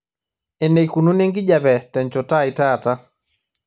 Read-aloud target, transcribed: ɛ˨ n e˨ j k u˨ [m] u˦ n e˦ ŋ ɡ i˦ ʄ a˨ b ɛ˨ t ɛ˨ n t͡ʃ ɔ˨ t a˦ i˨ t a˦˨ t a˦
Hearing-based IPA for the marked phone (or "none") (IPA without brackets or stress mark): n